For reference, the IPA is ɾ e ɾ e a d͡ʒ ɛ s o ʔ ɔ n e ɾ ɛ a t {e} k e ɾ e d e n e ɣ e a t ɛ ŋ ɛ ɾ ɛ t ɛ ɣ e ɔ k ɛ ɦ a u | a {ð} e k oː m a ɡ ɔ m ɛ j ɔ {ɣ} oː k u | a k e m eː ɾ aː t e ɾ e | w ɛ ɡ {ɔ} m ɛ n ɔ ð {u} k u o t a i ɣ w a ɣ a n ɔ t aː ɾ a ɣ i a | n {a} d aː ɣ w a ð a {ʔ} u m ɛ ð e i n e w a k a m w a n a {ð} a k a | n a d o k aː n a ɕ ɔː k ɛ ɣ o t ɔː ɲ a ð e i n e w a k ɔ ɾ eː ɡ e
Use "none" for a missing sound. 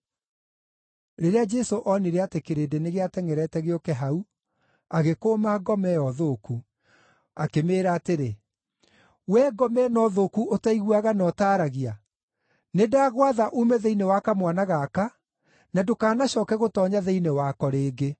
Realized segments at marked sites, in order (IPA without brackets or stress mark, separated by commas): e, ɣ, ð, ɔ, o, e, ʔ, ɣ